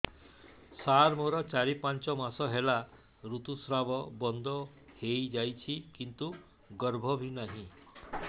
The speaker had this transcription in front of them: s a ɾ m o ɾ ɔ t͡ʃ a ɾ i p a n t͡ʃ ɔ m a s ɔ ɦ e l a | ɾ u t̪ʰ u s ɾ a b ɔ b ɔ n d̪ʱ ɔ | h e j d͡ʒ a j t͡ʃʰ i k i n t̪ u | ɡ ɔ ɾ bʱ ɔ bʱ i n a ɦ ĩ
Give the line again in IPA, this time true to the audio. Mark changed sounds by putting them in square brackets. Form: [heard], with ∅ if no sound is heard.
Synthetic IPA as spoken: s a ɾ m o ɾ ɔ t͡ʃ a ɾ i p a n t͡ʃ ɔ m a s ɔ ɦ e l a | ɾ u [t̪] u s ɾ a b ɔ b ɔ n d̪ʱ ɔ | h e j d͡ʒ a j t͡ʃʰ i k i n t̪ u | ɡ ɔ ɾ bʱ ɔ bʱ i n a ɦ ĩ